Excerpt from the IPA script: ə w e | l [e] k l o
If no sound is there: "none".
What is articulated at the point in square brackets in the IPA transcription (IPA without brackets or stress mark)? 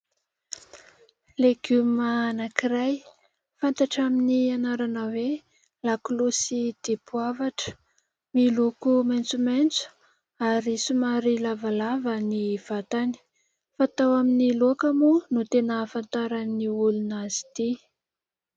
a